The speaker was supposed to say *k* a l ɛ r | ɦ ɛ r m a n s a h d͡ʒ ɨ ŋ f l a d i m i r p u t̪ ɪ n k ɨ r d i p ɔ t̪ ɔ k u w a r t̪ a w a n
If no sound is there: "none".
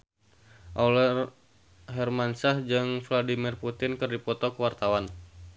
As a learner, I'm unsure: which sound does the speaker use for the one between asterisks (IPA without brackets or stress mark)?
ʔ